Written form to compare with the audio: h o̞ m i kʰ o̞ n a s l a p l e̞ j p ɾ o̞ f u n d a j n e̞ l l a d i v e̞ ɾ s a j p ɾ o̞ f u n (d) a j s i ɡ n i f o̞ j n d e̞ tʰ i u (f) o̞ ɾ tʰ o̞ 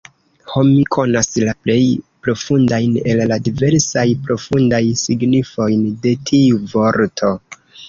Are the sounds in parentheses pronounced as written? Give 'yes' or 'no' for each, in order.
yes, no

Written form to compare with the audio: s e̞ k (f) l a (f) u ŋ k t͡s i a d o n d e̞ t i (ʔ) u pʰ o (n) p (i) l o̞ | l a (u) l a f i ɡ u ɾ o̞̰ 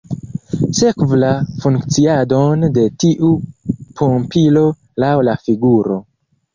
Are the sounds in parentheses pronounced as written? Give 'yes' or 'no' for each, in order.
no, yes, yes, no, yes, no

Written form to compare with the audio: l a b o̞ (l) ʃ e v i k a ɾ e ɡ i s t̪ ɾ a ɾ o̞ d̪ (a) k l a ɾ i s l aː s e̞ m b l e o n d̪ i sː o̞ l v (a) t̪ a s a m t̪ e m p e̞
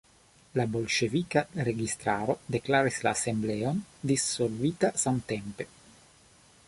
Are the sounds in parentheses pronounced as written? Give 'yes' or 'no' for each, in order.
yes, no, no

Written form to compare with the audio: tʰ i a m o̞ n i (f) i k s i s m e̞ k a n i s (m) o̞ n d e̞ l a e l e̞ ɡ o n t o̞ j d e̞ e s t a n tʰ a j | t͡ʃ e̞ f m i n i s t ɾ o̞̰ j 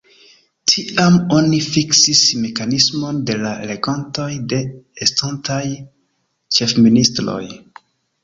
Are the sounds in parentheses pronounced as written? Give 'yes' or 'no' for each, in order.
yes, yes

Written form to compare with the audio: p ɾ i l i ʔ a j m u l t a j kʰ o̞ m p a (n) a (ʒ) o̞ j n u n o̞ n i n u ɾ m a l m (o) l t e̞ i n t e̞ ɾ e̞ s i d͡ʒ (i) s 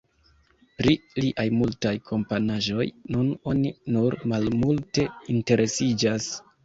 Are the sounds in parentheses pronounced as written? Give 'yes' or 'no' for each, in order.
yes, yes, no, no

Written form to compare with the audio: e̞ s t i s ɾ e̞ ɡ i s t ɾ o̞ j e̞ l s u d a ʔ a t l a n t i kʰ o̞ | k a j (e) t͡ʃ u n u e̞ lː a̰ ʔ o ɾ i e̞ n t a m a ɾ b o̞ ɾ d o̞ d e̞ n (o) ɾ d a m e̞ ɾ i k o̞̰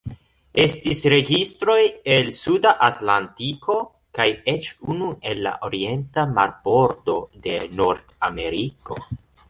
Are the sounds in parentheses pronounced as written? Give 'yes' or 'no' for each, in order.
yes, yes

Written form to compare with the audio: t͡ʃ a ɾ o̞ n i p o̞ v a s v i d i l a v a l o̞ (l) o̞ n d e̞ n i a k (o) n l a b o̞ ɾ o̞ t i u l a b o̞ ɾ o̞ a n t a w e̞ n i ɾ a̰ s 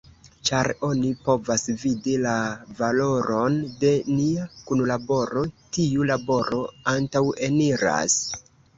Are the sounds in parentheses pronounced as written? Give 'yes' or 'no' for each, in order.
no, no

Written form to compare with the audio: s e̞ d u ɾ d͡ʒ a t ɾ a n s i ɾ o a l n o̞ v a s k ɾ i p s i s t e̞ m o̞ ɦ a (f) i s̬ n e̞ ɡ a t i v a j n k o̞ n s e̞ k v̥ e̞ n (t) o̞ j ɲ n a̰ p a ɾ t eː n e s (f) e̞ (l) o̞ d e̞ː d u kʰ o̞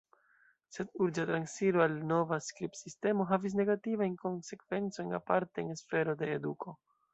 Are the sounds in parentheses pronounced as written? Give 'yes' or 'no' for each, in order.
no, no, yes, no

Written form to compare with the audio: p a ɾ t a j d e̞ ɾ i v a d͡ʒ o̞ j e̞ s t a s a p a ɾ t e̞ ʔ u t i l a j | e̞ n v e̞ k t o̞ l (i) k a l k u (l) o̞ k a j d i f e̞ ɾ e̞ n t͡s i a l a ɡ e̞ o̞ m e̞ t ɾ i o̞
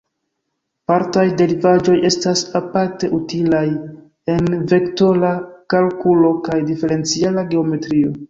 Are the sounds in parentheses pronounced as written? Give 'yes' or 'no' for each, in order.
no, yes

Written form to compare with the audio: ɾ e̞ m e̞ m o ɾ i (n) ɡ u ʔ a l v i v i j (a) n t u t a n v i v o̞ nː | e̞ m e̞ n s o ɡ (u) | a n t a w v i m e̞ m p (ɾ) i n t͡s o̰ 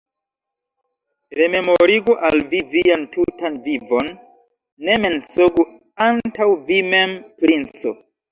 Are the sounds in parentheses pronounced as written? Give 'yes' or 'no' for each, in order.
no, yes, yes, yes

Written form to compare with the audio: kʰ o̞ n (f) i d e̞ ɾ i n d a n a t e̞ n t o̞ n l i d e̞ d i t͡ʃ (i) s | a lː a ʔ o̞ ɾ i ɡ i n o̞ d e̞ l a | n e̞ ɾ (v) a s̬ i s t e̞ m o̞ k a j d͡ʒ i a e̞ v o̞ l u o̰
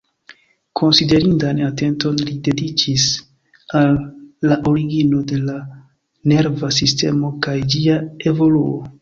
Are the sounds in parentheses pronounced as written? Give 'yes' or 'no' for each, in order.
no, yes, yes

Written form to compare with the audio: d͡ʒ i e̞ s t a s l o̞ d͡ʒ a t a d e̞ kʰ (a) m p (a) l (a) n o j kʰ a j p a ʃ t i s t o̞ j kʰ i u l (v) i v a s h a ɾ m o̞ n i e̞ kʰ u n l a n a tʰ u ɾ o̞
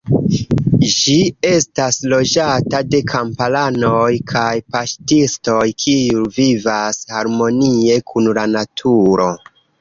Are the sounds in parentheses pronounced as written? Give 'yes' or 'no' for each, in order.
yes, yes, yes, yes

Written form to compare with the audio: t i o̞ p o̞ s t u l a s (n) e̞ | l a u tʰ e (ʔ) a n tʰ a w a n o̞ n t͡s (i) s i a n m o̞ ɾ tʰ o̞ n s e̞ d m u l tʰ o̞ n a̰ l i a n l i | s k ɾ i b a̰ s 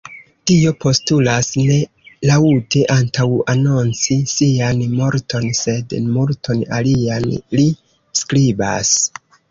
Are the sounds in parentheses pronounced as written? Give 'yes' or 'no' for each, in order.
yes, yes, yes

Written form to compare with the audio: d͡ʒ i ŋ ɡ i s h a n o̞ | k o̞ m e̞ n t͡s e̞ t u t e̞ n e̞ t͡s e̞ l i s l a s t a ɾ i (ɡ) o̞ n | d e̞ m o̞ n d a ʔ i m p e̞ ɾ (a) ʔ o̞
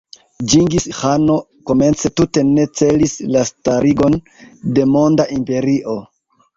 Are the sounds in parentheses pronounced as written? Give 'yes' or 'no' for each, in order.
yes, no

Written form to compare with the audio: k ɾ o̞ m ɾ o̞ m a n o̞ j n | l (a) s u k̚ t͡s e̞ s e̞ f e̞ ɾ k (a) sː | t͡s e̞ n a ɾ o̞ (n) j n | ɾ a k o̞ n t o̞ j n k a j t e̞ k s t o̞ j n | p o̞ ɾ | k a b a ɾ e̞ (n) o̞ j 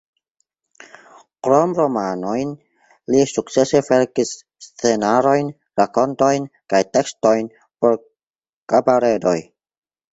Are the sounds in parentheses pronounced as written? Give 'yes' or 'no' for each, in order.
no, no, no, no

